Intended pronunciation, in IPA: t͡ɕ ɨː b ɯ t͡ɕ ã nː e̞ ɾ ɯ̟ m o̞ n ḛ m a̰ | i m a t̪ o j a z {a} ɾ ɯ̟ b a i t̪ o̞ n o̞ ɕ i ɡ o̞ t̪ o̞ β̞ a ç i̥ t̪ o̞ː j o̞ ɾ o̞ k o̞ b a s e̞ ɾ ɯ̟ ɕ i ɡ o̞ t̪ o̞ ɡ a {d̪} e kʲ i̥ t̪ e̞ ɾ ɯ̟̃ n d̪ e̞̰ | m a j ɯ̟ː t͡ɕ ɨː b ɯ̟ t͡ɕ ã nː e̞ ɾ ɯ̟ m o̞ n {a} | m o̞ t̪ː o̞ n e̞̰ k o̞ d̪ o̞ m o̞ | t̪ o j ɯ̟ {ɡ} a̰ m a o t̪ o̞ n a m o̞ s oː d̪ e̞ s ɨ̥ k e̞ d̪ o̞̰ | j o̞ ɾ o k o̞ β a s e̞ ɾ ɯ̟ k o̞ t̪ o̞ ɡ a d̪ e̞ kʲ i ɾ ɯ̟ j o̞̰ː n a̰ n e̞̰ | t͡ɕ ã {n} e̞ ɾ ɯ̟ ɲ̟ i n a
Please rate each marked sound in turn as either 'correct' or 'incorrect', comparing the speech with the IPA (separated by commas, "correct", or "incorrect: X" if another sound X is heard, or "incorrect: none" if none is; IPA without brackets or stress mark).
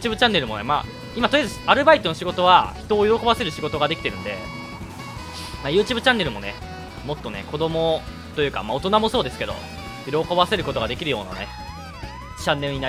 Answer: correct, correct, incorrect: e, incorrect: k, incorrect: nː